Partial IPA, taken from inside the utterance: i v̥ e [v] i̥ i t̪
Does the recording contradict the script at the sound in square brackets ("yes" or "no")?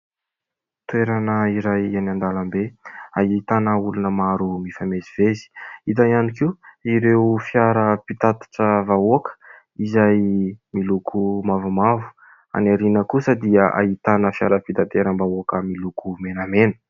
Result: yes